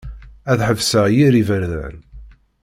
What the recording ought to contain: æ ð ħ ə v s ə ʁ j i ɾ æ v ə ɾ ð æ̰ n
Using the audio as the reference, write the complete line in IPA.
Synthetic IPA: æ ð ħ ə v s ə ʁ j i ɾ i v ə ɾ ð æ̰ n